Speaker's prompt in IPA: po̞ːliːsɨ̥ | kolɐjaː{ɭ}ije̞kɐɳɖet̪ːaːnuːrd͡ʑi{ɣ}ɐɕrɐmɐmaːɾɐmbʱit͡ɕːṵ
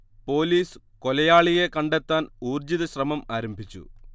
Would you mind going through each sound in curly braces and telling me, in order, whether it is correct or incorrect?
correct, incorrect

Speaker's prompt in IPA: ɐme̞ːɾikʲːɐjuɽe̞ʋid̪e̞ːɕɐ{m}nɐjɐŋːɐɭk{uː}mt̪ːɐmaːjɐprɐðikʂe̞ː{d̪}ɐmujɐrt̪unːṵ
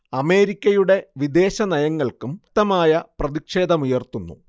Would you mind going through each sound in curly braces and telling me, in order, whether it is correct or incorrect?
incorrect, incorrect, correct

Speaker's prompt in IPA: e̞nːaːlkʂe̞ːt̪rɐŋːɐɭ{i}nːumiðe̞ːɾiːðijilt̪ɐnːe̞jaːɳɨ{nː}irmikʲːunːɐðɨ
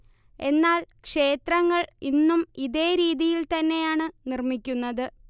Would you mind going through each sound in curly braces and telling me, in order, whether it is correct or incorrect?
correct, incorrect

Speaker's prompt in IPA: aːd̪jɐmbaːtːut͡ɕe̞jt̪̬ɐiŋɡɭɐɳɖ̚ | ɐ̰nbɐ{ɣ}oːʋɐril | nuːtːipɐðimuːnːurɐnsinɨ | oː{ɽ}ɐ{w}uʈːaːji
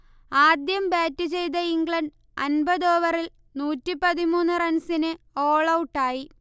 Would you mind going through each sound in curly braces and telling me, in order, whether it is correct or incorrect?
incorrect, incorrect, correct

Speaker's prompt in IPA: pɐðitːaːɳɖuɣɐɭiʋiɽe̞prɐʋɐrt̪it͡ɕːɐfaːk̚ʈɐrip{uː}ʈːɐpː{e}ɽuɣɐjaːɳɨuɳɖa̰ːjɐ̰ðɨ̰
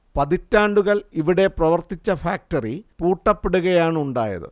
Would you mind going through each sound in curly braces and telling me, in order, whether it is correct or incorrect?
correct, correct

